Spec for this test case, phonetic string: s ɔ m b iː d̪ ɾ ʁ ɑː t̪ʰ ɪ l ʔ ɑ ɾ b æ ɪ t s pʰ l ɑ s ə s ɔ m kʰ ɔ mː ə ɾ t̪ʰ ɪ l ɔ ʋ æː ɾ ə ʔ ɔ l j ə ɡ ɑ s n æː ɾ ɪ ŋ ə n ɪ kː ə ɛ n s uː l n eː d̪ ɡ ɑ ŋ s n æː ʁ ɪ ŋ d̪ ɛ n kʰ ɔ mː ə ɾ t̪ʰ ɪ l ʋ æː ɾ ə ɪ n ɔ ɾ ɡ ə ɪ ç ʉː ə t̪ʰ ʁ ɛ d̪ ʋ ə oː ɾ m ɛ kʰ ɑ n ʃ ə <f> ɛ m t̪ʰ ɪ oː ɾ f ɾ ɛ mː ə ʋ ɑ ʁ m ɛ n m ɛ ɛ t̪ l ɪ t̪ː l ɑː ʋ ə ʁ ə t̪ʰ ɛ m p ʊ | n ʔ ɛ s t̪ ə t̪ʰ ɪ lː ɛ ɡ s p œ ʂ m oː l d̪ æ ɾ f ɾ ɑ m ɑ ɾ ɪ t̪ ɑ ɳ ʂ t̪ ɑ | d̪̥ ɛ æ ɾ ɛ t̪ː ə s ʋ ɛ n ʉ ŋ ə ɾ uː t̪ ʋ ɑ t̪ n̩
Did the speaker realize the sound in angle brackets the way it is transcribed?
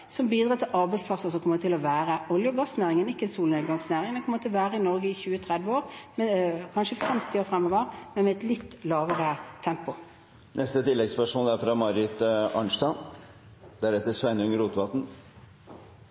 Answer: yes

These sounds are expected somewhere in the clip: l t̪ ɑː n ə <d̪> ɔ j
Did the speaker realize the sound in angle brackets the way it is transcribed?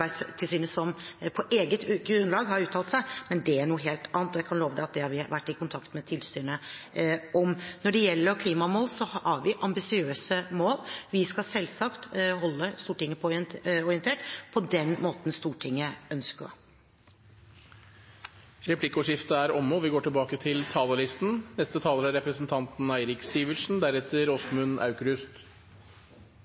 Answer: no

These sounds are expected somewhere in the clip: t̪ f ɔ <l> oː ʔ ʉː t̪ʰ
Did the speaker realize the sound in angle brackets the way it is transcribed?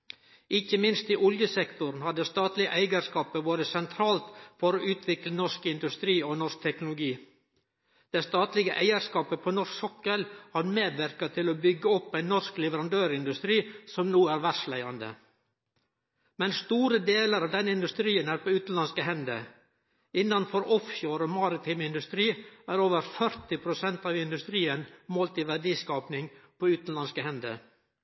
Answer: no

